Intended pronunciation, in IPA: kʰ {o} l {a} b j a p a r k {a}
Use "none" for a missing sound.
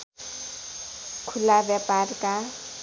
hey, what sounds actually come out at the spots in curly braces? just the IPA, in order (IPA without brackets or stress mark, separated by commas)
u, a, a